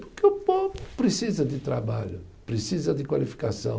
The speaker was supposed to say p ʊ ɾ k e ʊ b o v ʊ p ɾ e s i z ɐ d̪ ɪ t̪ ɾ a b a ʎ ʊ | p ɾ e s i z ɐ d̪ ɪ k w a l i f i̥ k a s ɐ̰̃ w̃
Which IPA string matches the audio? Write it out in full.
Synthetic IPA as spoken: p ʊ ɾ k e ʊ p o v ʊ p ɾ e s i z ɐ d̪ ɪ t̪ ɾ a b a ʎ ʊ | p ɾ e s i z ɐ d̪ ɪ k w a l i f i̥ k a s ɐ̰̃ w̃